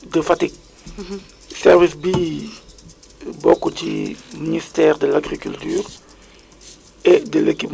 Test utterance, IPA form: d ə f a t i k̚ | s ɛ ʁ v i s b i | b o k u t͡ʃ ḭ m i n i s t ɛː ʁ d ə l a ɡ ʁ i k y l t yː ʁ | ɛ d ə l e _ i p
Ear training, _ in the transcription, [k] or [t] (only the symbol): k